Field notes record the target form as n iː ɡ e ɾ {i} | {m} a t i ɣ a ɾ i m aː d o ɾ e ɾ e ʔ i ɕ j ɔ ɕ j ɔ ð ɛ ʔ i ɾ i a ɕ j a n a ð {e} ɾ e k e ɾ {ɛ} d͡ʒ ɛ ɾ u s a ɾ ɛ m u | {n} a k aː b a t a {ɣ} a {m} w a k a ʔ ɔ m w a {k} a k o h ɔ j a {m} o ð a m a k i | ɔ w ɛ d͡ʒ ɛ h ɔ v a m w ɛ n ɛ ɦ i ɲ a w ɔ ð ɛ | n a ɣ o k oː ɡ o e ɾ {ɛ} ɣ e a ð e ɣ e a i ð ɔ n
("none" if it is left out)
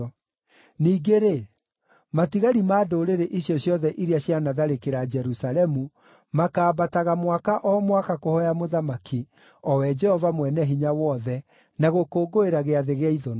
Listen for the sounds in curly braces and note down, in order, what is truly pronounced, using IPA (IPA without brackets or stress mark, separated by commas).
e, m, a, a, m, ɣ, m, k, m, a